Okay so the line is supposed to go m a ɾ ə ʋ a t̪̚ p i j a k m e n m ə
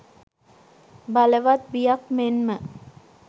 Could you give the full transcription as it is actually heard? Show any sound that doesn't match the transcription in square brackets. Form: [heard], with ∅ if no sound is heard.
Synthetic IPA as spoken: [b] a [l] ə ʋ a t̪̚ [b] i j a k m e n m ə